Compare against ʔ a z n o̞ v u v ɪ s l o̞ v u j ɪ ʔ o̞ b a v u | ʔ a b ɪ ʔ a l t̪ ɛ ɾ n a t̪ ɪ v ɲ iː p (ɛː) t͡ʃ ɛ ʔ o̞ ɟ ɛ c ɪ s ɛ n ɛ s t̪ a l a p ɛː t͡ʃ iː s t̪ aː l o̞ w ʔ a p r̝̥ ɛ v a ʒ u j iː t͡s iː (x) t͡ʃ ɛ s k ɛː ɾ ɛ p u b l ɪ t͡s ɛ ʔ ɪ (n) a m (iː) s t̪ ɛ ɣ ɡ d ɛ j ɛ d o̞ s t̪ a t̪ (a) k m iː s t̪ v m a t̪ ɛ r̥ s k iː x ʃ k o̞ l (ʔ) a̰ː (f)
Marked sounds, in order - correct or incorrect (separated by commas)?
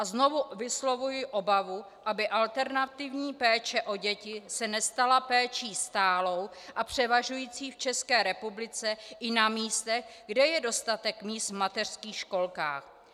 correct, incorrect, correct, correct, incorrect, incorrect, incorrect